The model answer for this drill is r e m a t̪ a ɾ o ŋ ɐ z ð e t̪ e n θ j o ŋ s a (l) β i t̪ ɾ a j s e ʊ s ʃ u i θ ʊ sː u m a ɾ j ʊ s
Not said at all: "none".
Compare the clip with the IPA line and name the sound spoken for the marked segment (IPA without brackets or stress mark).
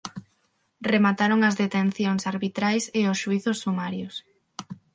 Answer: ɾ